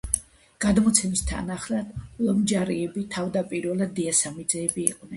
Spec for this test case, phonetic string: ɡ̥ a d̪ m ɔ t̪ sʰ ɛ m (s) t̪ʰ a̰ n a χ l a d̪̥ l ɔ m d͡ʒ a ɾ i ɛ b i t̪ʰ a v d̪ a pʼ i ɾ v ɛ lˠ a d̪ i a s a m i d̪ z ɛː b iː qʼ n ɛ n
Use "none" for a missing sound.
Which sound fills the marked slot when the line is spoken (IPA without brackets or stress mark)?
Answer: s